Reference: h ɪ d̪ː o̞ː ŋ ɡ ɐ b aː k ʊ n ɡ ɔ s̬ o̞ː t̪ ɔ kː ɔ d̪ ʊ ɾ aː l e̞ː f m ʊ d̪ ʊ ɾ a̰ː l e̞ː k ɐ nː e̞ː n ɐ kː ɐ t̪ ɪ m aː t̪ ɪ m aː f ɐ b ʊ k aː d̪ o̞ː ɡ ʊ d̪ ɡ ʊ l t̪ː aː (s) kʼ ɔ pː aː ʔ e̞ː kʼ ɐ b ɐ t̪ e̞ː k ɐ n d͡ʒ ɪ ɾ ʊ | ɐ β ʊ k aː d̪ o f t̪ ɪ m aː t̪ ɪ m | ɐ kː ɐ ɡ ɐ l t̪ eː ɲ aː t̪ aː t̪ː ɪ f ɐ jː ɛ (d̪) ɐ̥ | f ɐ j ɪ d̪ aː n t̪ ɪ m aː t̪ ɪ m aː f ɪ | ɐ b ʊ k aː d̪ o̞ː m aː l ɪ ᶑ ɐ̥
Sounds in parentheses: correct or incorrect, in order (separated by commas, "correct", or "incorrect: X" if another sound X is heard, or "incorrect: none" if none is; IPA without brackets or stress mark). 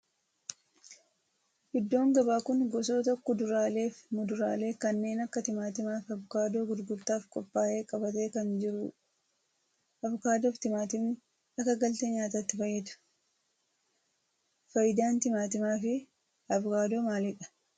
incorrect: f, correct